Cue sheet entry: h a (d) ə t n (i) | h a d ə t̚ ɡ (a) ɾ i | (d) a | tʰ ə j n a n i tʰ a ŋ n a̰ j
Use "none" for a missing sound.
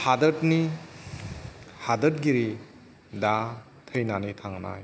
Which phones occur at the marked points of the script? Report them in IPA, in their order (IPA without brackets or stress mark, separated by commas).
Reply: d, i, i, d